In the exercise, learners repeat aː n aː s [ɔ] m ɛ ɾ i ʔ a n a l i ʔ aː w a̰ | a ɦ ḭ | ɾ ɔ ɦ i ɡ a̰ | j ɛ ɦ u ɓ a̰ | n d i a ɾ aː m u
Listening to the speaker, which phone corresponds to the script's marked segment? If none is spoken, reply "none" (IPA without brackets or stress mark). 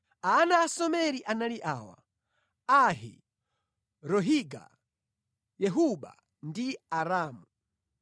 ɔ